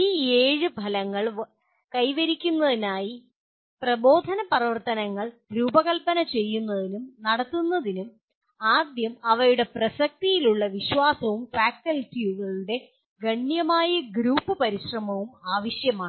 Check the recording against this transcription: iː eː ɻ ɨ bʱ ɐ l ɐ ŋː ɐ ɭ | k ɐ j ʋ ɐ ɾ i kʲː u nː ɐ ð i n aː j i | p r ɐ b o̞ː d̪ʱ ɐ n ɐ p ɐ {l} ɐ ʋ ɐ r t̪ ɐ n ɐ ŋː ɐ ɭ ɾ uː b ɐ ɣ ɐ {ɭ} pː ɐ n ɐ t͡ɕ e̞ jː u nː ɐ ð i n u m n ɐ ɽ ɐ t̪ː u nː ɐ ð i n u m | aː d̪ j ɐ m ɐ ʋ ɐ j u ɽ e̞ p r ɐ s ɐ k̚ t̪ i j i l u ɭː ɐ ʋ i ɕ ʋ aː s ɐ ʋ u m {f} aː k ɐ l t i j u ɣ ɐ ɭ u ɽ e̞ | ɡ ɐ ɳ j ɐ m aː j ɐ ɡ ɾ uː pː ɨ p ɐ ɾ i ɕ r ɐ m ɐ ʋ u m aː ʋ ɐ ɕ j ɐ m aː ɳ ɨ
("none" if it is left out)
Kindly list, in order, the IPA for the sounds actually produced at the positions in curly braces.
r, l, f

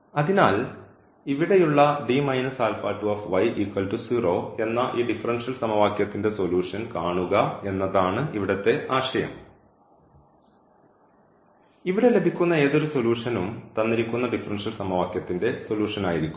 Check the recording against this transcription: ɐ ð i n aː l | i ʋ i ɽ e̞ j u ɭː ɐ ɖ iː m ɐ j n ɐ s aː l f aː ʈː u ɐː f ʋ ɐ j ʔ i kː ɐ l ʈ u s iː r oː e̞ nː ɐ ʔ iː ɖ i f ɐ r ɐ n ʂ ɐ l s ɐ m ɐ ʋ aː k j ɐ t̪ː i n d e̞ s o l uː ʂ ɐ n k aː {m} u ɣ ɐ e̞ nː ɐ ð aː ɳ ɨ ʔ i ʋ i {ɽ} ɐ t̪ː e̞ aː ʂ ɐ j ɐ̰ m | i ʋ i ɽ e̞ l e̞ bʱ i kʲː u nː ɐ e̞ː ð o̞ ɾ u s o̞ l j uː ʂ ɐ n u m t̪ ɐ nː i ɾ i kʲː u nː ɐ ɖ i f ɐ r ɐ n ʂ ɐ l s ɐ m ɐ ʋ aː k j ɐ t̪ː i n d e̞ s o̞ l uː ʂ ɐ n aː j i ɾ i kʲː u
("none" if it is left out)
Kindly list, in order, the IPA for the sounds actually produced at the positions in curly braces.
ɳ, ɽ

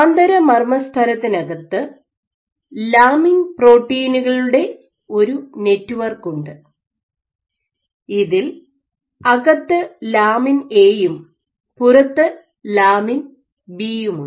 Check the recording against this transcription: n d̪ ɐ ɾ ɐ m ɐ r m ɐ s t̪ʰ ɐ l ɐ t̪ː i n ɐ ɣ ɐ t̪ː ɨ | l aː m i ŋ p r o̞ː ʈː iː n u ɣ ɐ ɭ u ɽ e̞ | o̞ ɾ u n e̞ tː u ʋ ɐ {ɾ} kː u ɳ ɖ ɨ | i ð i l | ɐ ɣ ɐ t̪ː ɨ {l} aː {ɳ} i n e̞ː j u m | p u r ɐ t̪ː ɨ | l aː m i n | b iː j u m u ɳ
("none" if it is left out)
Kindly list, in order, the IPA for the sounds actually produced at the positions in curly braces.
r, l, m

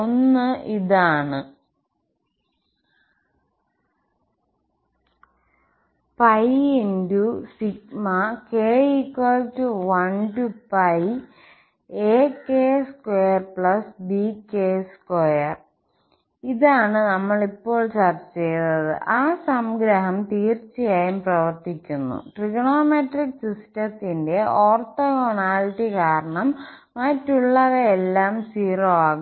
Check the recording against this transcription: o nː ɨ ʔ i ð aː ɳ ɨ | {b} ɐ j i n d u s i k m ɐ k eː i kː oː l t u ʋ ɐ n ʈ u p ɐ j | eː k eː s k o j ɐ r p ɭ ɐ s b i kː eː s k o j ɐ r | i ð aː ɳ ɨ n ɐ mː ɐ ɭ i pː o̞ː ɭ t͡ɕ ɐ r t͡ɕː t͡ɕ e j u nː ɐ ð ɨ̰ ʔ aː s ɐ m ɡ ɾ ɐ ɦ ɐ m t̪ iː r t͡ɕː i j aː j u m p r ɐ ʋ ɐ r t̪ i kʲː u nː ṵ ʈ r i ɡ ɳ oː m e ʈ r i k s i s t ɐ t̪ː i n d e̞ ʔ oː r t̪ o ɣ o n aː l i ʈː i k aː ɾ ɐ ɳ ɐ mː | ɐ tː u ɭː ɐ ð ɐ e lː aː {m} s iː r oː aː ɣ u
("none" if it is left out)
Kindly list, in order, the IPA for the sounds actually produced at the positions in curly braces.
p, m

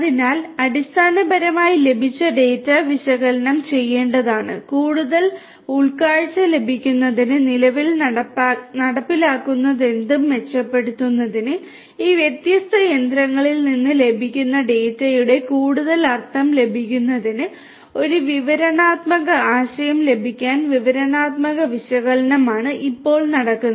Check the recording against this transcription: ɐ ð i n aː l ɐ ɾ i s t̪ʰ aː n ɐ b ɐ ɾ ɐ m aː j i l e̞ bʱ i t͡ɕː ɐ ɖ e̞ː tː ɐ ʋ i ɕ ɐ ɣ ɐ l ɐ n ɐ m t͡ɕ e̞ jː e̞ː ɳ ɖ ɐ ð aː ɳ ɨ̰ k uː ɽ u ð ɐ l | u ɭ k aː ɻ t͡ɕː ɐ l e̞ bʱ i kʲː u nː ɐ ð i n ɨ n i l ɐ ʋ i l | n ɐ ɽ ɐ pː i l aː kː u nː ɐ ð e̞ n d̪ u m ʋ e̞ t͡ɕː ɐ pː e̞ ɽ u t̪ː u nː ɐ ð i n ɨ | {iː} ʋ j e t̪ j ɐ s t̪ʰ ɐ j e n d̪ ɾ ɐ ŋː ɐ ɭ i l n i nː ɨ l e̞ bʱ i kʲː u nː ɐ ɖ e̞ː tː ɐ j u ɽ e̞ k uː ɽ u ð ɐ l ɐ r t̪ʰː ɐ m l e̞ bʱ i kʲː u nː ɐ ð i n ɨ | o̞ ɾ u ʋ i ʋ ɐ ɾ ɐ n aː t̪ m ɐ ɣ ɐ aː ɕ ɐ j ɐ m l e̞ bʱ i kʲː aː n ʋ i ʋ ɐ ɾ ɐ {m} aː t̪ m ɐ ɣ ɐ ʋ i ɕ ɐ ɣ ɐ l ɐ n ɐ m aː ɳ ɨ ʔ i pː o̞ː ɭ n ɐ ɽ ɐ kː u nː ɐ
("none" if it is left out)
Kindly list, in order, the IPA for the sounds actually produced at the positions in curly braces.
iː, n

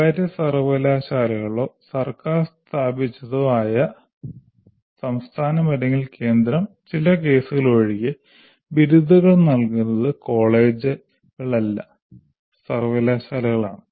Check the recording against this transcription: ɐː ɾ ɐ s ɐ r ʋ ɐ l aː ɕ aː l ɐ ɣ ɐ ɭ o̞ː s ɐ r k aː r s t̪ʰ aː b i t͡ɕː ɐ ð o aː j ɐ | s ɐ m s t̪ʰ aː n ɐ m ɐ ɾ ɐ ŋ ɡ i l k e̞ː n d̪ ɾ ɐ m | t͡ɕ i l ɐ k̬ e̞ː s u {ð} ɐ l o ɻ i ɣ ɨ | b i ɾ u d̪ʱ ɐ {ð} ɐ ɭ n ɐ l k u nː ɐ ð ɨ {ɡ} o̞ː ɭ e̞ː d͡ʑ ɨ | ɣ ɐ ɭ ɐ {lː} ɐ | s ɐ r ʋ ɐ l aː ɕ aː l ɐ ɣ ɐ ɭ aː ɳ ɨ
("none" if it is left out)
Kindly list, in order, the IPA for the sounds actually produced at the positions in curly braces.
ɣ, ɣ, k, lː

